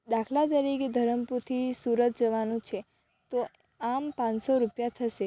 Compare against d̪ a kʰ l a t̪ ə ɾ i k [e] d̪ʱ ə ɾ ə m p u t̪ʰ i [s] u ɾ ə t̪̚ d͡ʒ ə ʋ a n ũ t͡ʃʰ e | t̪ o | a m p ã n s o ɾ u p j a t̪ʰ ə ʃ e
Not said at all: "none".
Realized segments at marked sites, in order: e, s

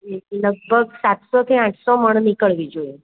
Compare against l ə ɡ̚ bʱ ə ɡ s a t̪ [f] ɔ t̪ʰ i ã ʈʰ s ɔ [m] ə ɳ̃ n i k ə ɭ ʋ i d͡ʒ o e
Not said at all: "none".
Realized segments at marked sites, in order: s, m

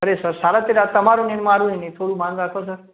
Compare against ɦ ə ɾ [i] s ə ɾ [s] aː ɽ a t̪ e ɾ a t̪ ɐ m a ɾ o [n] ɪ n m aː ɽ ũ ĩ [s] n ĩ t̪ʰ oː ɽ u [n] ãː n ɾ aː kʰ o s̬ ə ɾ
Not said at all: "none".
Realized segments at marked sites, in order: e, s, n, none, m

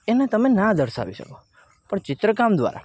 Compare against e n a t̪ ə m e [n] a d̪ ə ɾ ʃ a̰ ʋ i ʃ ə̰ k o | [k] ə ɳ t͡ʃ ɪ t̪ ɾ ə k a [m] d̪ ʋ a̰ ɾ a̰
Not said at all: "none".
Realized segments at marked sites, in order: n, p, m

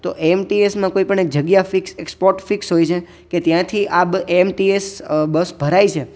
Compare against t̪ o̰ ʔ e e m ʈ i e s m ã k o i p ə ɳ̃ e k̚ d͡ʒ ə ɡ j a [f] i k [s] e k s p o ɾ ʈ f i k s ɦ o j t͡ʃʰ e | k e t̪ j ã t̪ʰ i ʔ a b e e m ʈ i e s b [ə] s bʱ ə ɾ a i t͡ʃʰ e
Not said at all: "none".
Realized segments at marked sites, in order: f, s, ə

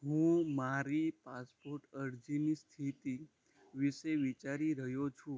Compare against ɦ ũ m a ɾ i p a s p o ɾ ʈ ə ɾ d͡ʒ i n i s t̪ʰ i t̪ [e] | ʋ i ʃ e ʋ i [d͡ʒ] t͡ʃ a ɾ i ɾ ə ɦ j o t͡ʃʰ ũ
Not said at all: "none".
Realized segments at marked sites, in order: i, none

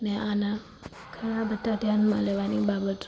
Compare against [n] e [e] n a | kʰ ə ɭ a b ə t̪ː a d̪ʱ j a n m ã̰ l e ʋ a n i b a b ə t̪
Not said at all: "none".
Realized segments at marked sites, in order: n, a

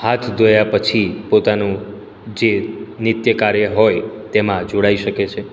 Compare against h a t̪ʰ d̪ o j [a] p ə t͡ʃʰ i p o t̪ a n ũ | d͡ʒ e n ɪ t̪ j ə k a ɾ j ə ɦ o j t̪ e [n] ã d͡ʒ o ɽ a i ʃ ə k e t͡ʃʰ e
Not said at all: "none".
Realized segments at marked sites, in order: a, m

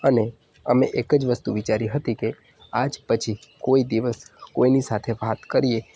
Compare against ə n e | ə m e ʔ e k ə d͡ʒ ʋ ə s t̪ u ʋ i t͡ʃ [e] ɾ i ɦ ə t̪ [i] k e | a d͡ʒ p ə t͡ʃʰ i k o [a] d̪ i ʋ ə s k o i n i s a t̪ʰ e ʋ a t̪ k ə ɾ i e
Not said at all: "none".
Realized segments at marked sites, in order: a, i, i

